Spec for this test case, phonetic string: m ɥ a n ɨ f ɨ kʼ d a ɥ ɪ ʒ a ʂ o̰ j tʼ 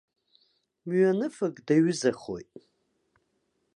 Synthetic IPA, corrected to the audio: m ɥ a n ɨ f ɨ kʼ d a ɥ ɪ z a χ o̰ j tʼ